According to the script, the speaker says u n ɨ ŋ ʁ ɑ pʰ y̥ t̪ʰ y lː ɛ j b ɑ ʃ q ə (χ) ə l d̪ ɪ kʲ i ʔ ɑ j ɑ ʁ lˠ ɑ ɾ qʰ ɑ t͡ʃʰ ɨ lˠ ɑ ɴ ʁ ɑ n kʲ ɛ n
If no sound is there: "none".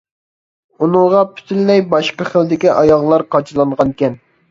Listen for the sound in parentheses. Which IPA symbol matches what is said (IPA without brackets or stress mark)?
χ